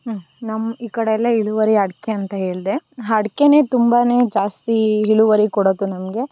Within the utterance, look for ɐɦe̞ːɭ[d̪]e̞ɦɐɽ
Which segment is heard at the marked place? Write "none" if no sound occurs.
d̪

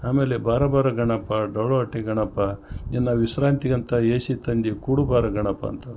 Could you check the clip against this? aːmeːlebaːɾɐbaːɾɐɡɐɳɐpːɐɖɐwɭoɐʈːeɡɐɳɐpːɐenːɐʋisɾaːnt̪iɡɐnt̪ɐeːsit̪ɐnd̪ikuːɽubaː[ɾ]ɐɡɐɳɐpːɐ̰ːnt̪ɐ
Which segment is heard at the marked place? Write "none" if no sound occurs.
ɾ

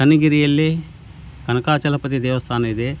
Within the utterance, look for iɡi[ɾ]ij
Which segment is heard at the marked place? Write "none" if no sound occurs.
ɾ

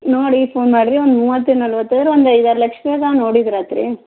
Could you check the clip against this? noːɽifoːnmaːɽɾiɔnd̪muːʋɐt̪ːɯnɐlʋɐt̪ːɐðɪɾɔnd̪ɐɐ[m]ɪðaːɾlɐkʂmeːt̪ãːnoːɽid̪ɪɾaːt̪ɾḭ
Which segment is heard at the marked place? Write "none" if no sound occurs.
none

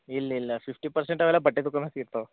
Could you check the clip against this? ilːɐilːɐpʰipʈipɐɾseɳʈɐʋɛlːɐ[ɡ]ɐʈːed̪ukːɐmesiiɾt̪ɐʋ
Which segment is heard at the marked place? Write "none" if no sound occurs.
b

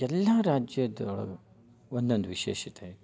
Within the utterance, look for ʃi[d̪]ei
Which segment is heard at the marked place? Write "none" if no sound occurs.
t̪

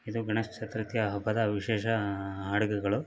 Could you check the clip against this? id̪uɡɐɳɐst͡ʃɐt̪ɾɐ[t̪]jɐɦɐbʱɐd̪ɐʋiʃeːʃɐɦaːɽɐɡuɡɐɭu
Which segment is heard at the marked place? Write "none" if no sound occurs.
t̪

